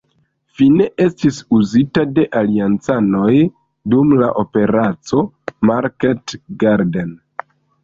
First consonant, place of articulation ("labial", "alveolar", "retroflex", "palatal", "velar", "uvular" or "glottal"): labial